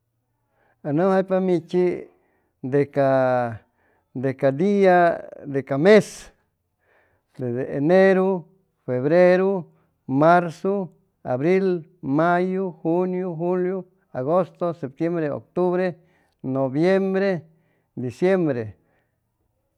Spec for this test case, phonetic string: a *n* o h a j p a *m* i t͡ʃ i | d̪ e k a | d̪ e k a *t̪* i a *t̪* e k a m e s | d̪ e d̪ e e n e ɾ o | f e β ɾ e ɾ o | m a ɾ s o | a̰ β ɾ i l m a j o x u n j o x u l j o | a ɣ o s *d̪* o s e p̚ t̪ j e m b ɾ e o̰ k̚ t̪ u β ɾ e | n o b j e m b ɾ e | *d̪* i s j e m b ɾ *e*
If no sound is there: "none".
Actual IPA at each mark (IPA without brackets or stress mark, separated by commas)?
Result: n, m, d̪, d̪, t̪, d̪, e